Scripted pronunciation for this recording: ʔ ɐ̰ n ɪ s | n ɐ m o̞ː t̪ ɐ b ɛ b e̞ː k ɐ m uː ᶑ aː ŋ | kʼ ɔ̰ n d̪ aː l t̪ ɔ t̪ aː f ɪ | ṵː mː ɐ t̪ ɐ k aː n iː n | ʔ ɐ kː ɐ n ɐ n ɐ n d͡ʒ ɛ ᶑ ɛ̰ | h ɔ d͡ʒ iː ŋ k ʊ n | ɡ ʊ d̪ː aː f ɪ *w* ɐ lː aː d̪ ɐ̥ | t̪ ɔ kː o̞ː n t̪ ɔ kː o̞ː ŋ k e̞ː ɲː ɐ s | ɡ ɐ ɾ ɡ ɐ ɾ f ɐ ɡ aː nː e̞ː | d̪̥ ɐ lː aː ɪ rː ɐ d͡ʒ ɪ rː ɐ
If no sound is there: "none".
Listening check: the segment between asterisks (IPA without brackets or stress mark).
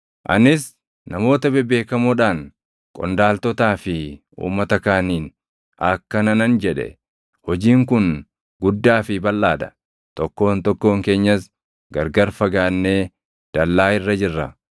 b